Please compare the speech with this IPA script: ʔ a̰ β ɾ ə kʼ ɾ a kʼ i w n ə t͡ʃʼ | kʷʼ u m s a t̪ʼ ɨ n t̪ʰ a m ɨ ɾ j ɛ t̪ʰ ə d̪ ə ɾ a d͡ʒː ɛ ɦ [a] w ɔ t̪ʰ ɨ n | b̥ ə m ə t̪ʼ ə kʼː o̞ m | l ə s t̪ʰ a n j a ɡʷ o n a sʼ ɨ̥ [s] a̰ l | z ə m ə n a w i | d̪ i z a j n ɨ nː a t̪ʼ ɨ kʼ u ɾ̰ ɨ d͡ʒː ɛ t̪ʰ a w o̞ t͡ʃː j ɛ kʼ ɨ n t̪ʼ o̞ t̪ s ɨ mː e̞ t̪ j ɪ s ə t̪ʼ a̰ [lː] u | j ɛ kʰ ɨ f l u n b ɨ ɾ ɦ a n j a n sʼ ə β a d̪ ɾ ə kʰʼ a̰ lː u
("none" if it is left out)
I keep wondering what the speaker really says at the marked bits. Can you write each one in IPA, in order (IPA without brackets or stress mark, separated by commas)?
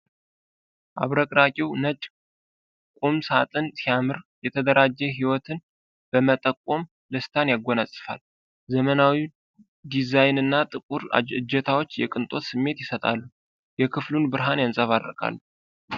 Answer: i, f, lː